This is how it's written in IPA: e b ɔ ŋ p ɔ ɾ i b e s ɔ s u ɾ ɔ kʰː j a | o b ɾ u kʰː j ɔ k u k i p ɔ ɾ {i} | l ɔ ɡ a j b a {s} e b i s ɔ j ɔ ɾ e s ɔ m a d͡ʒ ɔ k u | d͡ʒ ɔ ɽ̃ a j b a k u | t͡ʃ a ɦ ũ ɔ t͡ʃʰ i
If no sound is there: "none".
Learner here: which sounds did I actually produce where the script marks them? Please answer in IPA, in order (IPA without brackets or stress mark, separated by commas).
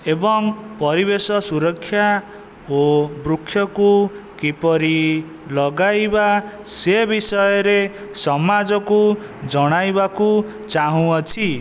i, s